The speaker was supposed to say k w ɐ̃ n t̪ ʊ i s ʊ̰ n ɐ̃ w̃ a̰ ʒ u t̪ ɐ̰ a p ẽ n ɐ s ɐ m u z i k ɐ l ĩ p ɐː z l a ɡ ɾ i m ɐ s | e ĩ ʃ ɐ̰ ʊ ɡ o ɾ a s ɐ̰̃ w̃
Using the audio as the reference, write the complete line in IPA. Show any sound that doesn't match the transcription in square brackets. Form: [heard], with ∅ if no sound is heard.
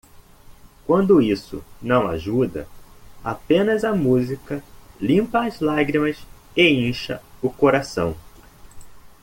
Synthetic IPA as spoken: k w ɐ̃ n [d̪] ʊ i s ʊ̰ n ɐ̃ w̃ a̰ ʒ u [d̪] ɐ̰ a p ẽ n ɐ [z] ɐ m u z i k ɐ l ĩ p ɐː z l a ɡ ɾ i m ɐ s | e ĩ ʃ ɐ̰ ʊ [k] o ɾ a s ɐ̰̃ w̃